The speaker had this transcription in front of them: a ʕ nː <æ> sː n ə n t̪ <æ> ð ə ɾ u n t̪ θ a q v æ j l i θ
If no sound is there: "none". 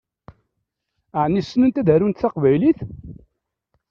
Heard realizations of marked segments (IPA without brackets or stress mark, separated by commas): i, æ